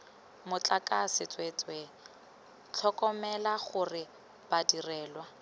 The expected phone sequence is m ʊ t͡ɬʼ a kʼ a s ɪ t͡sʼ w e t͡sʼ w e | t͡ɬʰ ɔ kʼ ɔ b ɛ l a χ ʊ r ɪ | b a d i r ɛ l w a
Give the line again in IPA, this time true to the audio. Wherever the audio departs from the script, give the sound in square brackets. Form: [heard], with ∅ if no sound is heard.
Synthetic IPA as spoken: m ʊ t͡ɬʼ a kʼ a s ɪ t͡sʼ w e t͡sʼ w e | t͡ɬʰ ɔ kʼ ɔ [m] ɛ l a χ ʊ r ɪ | b a d i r [ɛː] l w a